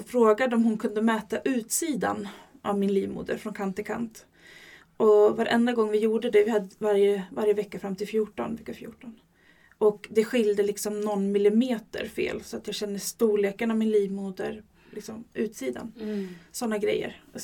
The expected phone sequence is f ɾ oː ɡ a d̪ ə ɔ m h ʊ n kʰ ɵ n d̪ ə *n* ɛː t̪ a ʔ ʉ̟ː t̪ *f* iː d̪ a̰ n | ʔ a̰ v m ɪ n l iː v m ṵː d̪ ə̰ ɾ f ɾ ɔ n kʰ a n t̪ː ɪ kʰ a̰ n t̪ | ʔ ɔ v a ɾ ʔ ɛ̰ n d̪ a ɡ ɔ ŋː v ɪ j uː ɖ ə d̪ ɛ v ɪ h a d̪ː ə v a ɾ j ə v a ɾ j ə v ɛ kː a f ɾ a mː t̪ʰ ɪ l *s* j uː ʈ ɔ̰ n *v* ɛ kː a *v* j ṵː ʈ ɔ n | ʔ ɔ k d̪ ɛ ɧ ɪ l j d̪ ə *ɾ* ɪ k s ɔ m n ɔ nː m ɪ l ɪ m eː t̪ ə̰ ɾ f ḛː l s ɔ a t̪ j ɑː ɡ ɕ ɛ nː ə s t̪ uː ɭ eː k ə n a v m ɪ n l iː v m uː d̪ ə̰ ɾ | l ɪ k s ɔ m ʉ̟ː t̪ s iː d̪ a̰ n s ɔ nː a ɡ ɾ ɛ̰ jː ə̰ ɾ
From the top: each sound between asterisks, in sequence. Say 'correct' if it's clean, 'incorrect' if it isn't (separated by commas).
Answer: incorrect, incorrect, incorrect, correct, incorrect, incorrect